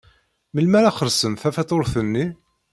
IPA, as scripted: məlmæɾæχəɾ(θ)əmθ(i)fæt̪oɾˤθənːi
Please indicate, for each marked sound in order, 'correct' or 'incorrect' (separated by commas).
incorrect, incorrect